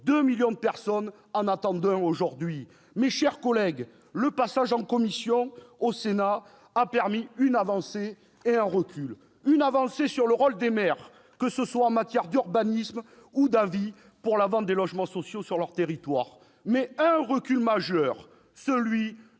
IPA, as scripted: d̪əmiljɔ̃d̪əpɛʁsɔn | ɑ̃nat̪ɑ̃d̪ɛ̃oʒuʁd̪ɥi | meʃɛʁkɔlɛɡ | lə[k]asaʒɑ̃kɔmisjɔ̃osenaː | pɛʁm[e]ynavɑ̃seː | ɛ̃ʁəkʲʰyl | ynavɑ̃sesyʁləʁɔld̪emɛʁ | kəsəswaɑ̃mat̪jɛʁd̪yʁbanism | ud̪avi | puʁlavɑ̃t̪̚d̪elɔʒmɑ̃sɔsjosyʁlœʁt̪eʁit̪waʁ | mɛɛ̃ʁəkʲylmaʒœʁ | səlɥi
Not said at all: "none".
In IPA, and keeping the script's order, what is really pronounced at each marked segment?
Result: p, i

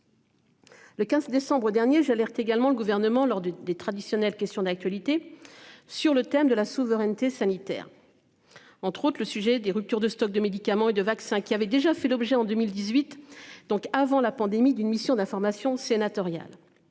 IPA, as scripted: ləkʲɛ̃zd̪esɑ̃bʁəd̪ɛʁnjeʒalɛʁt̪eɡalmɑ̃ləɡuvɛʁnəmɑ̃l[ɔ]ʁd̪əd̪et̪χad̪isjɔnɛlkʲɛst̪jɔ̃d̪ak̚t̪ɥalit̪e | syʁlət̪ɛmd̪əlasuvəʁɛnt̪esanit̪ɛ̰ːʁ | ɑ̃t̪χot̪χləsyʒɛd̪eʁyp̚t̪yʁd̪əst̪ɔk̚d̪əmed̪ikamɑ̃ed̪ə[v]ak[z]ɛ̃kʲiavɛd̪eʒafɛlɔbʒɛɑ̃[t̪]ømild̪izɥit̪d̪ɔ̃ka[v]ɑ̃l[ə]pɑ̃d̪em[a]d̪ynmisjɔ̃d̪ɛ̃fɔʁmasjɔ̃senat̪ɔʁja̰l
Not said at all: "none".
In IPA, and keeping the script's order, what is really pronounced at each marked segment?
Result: ɔ, v, s, d̪, v, a, i

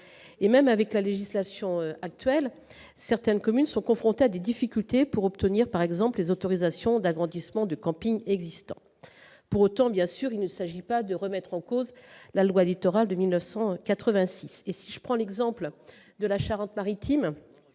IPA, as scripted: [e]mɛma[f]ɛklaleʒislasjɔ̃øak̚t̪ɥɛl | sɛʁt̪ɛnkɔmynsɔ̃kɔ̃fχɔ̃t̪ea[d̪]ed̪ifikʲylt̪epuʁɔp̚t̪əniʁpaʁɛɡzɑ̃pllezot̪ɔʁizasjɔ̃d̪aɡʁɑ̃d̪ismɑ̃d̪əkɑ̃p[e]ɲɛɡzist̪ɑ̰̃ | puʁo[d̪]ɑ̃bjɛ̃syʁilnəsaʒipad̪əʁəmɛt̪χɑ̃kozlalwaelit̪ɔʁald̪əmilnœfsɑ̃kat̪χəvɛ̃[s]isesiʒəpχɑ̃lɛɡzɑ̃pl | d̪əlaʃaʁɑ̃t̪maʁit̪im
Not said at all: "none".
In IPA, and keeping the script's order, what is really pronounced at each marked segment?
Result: e, v, d̪, i, t̪, s

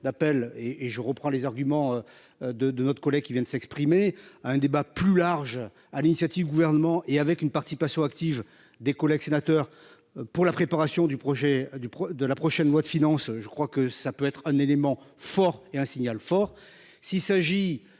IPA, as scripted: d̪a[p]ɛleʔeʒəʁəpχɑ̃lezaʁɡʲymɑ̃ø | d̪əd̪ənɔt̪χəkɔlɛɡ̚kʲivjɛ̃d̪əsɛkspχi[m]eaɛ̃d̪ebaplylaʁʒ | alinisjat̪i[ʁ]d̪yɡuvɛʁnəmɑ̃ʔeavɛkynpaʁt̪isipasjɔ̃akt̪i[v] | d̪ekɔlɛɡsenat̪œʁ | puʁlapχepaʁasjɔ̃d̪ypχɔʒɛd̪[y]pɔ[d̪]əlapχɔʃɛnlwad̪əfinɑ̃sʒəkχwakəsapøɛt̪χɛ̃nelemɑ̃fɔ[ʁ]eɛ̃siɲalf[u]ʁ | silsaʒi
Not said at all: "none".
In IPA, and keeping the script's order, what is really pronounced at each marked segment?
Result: p, m, v, v, y, d̪, ʁ, ɔ

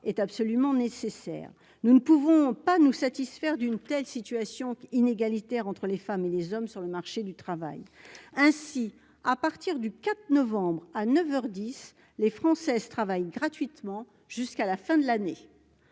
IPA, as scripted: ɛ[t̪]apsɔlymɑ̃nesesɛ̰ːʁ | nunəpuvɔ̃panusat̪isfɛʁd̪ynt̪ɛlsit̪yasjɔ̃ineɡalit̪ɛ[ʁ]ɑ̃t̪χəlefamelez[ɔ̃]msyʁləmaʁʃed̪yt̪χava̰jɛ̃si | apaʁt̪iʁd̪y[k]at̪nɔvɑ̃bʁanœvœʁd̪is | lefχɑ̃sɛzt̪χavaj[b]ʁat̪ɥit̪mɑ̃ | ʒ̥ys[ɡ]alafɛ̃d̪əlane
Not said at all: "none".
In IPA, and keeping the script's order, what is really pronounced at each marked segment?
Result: t̪, ʁ, ɔ, k, ɡ, k

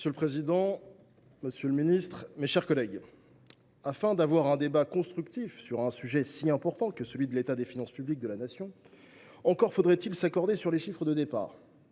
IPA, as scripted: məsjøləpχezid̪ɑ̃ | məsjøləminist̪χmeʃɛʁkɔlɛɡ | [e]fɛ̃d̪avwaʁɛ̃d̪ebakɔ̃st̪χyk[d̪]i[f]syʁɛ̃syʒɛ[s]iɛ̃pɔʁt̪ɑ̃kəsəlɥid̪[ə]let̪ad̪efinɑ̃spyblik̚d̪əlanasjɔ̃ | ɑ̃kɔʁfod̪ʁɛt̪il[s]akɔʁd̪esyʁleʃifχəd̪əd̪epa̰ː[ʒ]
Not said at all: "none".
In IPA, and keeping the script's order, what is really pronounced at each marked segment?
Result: a, t̪, f, s, ə, s, ʁ

